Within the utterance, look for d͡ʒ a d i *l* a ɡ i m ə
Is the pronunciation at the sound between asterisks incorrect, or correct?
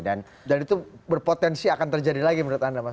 correct